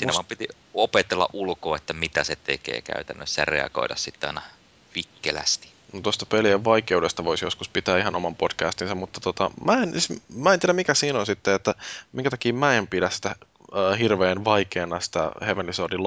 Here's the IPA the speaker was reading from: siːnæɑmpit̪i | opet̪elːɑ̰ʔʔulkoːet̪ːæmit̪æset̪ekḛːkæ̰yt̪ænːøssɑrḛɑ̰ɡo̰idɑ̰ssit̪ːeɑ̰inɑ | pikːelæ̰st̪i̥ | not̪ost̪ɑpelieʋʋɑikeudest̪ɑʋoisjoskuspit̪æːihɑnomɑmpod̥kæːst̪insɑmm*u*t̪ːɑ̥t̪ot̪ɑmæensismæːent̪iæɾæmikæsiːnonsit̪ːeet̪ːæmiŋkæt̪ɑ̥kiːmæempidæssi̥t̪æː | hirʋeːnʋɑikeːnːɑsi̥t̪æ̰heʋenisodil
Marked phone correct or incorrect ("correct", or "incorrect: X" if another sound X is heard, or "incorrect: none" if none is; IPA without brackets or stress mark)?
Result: correct